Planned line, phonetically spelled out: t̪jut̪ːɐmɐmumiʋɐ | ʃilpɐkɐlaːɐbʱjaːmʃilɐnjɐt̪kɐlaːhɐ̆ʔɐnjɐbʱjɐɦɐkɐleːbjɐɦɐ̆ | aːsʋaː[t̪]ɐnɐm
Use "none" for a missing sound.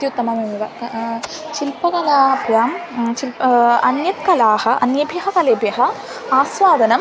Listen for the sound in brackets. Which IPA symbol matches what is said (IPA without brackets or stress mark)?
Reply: d̪